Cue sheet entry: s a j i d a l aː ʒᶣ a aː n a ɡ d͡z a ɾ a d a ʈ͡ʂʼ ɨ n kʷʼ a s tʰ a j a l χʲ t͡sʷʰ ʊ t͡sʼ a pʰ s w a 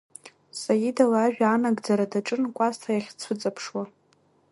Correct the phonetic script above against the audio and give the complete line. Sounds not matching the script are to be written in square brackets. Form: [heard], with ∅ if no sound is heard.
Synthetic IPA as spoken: s a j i d a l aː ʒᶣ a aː n a ɡ d͡z a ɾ a d a ʈ͡ʂʼ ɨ n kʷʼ a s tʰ a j a [∅] χʲ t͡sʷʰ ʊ t͡sʼ a pʰ [ʂ] w a